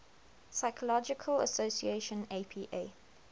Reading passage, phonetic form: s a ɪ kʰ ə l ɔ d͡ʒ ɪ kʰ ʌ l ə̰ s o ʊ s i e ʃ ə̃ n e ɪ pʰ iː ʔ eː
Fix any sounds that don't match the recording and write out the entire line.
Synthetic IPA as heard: s a ɪ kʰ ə l ɔ d͡ʒ ɪ kʰ ə l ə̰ s o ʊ s i e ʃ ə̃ n e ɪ pʰ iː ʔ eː

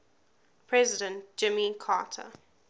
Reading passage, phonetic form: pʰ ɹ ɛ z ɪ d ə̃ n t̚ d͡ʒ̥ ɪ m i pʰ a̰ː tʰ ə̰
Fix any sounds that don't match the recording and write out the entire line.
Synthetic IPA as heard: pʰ ɹ ɛ z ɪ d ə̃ n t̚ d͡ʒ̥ ɪ m i kʰ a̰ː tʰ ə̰

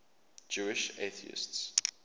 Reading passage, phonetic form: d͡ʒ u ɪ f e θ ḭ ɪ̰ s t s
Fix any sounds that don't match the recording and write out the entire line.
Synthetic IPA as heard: d͡ʒ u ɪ ʃ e θ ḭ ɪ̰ s t s

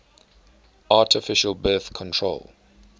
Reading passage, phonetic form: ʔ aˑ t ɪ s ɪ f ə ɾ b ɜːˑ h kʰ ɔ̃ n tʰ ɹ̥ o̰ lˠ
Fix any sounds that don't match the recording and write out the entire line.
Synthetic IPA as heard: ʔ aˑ t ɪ f ɪ ʃ ə l b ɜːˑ θ kʰ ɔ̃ n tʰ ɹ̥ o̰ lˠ

